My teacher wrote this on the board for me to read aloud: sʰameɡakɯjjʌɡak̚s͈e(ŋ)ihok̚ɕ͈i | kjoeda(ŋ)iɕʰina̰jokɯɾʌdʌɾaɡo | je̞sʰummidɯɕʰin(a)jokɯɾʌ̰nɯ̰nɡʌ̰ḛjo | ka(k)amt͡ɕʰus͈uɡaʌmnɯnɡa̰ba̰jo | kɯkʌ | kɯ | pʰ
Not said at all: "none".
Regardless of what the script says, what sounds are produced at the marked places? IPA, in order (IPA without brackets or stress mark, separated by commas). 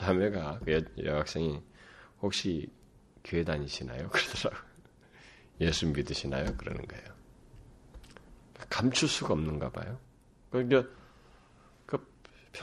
ŋ, ɲ, a, k